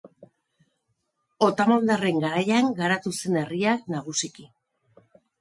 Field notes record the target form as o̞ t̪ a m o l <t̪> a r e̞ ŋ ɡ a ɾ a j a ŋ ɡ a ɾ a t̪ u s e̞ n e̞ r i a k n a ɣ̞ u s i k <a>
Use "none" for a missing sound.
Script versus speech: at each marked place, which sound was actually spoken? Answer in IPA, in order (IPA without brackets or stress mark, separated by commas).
d̪, i